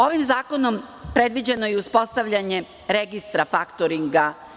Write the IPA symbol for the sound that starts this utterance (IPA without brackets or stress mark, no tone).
o̞